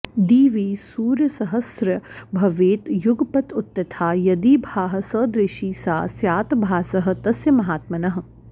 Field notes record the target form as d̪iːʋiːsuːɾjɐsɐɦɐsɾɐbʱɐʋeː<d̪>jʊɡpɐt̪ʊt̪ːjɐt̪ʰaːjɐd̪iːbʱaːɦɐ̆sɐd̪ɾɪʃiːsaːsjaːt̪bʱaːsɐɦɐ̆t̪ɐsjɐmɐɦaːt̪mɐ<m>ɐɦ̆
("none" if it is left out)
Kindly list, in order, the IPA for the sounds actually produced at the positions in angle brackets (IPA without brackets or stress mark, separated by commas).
t̪, n